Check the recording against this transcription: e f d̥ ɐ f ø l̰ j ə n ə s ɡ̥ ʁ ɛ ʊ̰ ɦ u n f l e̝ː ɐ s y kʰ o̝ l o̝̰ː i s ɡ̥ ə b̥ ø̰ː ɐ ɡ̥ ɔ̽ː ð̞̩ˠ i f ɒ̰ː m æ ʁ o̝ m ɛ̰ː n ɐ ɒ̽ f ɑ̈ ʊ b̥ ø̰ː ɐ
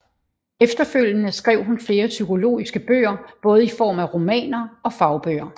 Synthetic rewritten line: e f d̥ ɐ f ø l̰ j ə n ə s ɡ̥ ʁ ɛ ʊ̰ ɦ u n f l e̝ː ɐ s y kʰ o̝ l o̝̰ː i s ɡ̥ ə b̥ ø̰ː ɐ b̥ ɔ̽ː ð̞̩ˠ i f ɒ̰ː m æ ʁ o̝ m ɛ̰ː n ɐ ɒ̽ f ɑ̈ ʊ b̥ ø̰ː ɐ